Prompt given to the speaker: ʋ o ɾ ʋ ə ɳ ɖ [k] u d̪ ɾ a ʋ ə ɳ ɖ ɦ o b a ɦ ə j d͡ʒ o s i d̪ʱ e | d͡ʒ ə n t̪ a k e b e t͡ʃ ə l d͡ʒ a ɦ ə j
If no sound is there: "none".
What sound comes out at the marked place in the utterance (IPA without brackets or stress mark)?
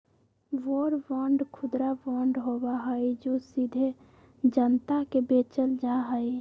kʰ